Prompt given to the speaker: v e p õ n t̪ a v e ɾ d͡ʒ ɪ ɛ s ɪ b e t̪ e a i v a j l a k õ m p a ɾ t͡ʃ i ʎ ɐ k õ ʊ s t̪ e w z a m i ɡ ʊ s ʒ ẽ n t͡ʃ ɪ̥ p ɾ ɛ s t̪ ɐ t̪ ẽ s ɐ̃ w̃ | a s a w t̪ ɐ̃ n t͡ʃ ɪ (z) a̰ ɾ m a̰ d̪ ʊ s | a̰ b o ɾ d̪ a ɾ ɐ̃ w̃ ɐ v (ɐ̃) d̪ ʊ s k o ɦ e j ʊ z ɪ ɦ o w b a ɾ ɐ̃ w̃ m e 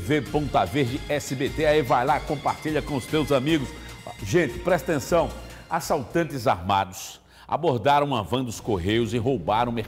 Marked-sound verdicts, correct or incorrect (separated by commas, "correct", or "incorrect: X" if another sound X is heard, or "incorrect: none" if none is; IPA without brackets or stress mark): correct, correct